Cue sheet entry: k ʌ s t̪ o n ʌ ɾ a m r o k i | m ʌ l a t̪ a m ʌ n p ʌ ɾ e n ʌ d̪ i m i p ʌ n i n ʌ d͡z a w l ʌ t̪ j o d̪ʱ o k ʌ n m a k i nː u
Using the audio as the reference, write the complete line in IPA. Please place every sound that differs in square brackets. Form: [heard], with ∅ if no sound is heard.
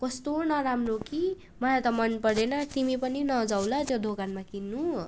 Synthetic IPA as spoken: k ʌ s t̪ o n ʌ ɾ a m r o k i | m ʌ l a t̪ [ʌ] m ʌ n p ʌ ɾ e n ʌ [t̪] i m i p ʌ n i n ʌ d͡z a w l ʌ t̪ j o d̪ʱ o k [a] n m a k i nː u